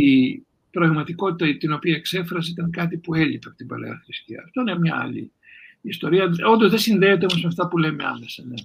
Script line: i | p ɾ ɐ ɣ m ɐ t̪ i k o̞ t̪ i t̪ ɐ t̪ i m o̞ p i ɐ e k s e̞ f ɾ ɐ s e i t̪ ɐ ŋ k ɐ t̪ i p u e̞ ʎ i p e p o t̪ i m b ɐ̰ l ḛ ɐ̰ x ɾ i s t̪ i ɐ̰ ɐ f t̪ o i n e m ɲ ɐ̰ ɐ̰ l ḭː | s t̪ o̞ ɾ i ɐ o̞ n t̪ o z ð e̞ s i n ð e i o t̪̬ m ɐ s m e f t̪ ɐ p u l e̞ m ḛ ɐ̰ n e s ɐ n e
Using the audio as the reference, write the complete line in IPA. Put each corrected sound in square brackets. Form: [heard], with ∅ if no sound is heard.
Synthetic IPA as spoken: i | p ɾ ɐ ɣ m ɐ t̪ i k o̞ t̪ i t̪ ɐ t̪ i [n] o̞ p i ɐ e k s e̞ f ɾ ɐ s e i t̪ ɐ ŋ k ɐ t̪ i p u e̞ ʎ i p e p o t̪ i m b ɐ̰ l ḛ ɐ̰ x ɾ i s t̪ i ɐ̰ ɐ f t̪ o i n e m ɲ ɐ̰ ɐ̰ l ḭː | s t̪ o̞ ɾ i ɐ o̞ n [d̪] o z ð e̞ s i n ð e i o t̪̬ m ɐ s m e f t̪ ɐ p u l e̞ m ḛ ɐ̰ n e s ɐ n e